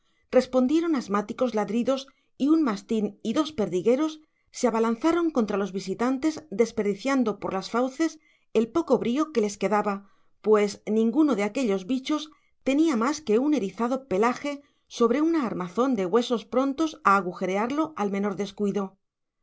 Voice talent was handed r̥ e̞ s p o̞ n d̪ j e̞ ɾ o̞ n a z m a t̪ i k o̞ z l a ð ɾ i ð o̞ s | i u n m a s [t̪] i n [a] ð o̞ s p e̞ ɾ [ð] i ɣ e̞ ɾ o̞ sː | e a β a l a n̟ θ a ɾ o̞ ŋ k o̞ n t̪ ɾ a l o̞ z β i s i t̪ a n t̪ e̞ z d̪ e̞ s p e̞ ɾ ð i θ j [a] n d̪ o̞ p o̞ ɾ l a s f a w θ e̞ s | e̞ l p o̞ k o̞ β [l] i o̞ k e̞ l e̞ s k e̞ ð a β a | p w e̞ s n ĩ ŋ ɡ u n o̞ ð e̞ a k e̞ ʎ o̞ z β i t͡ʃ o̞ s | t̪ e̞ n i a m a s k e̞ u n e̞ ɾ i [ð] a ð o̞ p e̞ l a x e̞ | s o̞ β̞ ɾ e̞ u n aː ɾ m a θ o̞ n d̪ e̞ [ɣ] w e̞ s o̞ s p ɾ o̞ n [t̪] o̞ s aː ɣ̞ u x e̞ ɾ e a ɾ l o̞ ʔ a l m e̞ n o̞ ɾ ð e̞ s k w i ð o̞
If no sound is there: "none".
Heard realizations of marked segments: t̪, i, ð, a, ɾ, θ, ɣ, t̪

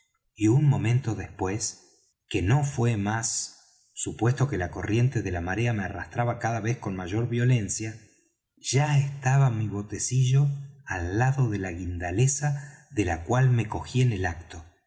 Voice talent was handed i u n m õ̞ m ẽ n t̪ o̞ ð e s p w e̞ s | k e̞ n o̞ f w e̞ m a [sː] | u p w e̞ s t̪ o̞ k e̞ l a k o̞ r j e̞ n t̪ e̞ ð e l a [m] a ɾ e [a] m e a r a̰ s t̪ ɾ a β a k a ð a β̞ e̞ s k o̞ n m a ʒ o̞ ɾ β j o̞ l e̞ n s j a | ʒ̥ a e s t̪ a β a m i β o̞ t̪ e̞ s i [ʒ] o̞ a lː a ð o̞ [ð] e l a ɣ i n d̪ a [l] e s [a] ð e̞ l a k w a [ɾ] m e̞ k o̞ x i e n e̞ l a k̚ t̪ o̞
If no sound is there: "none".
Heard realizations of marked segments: sː, m, a, ʒ, ð, l, a, l

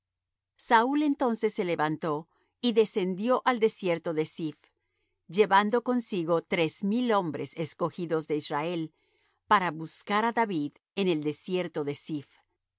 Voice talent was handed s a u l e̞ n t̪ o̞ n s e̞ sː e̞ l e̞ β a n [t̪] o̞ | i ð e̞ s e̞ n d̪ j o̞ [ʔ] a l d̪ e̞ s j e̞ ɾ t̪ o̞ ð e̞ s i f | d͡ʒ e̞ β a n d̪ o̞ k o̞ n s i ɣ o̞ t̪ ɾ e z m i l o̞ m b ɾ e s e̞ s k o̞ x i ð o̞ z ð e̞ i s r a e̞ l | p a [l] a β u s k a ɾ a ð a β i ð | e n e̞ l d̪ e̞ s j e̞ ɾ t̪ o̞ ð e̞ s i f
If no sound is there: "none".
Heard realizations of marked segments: t̪, ʔ, ɾ

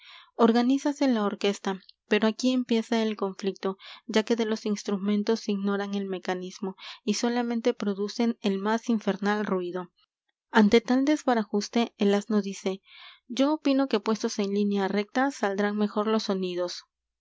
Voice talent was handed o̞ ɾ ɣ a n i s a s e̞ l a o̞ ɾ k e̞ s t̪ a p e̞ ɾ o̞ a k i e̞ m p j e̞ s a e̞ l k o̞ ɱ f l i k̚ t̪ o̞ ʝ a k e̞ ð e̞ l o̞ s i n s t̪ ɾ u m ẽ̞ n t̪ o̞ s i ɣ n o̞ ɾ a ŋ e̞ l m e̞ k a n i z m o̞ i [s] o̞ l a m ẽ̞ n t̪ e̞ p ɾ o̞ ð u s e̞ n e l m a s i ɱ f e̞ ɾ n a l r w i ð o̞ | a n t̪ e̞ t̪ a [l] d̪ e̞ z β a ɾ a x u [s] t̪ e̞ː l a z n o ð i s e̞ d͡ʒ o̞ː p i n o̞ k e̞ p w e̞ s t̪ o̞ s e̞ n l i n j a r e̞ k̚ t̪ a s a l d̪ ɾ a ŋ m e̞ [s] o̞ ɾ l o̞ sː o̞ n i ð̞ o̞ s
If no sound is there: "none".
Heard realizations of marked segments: s, l, s, x

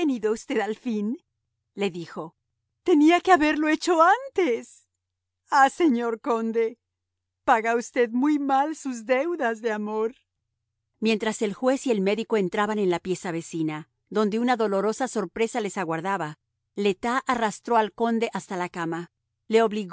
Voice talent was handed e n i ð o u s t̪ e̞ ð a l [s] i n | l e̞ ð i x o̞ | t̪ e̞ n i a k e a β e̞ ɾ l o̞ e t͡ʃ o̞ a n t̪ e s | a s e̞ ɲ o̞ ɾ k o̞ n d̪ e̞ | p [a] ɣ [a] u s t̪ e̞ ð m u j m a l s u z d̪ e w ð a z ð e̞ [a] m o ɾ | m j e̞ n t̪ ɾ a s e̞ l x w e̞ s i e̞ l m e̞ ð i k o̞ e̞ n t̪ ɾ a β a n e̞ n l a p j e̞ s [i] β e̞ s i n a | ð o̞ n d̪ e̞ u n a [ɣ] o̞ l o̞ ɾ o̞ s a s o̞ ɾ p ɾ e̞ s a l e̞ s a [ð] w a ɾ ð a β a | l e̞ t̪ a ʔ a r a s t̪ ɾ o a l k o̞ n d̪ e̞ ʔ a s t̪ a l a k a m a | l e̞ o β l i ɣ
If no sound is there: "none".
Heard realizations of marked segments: f, a, a, a, a, ð, ɣ

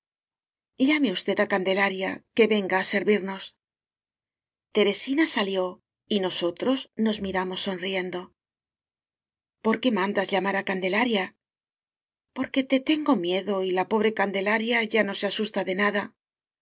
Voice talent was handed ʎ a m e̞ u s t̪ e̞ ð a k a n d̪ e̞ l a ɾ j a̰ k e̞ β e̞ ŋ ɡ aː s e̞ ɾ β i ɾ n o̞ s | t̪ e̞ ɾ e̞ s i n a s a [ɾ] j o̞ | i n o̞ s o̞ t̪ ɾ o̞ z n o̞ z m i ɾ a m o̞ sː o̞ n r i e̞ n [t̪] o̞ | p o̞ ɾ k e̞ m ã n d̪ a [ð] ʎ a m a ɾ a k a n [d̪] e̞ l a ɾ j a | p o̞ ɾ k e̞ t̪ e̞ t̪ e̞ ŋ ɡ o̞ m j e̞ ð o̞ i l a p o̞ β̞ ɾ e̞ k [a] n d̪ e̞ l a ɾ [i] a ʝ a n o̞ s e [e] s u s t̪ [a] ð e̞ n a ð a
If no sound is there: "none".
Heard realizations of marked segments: l, d̪, z, d̪, a, j, a, a

